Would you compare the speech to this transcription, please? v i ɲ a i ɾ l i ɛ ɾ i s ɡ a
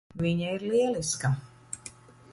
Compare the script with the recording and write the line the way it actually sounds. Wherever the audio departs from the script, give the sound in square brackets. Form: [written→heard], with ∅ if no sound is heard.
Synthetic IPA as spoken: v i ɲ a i ɾ l i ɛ [ɾ→l] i s [ɡ→k] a